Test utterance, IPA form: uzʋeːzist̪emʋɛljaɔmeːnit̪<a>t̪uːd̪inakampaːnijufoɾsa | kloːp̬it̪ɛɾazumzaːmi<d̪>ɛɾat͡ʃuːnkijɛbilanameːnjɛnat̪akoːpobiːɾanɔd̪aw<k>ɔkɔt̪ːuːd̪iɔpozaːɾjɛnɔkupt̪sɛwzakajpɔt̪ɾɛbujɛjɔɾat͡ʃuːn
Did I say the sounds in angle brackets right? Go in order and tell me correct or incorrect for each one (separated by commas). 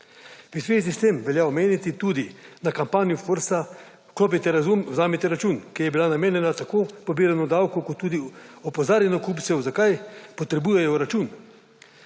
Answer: incorrect, incorrect, correct